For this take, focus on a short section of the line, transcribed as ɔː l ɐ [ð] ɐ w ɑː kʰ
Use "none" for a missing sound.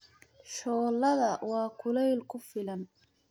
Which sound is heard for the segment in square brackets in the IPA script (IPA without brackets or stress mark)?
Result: ð